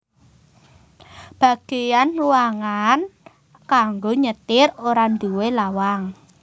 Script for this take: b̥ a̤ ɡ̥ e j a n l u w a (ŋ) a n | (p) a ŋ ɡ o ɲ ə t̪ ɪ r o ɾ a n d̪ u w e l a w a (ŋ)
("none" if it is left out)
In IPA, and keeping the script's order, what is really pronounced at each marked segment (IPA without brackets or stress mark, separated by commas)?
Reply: ŋ, k, ŋ